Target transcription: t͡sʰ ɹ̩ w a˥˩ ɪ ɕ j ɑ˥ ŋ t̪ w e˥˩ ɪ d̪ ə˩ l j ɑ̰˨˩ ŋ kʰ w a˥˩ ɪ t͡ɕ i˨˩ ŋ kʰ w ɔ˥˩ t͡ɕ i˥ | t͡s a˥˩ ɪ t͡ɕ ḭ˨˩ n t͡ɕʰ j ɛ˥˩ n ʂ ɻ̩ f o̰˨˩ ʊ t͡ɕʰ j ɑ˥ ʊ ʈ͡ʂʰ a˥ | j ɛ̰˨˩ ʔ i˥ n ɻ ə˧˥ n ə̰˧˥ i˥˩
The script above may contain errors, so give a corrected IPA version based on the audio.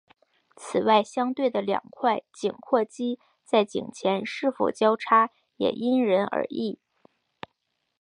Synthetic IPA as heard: t͡sʰ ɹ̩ w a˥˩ ɪ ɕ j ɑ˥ ŋ t̪ w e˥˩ ɪ d̪ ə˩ l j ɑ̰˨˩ ŋ kʰ w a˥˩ ɪ t͡ɕ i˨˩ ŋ kʰ w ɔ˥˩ t͡ɕ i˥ | t͡s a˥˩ ɪ t͡ɕ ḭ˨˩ ŋ t͡ɕʰ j ɛ˧˥ n ʂ ɻ̩ f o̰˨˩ ʊ t͡ɕ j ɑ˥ ʊ ʈ͡ʂʰ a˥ | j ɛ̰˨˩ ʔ i˥ n ɻ ə˧˥ n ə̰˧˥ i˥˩